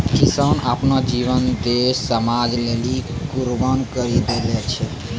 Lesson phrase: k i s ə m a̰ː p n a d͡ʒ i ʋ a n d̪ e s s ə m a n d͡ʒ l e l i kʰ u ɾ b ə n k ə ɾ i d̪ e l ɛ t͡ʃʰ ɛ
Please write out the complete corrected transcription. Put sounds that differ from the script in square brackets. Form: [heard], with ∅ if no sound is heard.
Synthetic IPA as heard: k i s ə [n] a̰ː p n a d͡ʒ i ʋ [ə] n d̪ e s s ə m a [∅] d͡ʒ l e l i [k] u ɾ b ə n k ə ɾ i d̪ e l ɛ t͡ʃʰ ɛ